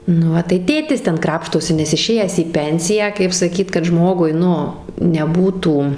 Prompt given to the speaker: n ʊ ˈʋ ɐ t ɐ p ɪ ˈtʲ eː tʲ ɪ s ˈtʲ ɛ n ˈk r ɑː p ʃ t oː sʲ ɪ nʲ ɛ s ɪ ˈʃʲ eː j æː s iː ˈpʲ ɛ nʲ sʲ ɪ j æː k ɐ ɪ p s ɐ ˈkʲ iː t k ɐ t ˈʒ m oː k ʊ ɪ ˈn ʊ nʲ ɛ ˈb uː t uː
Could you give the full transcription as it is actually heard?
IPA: n ʊ ˈʋ ɐ t ɐ ɪ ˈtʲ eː tʲ ɪ s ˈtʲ ɛ n ˈk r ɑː p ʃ t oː sʲ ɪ nʲ ɛ s ɪ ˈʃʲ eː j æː s iː ˈpʲ ɛ nʲ sʲ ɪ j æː k ɐ ɪ p s ɐ ˈkʲ iː t k ɐ t ˈʒ m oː ɡ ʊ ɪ ˈn ʊ nʲ ɛ ˈb uː t uː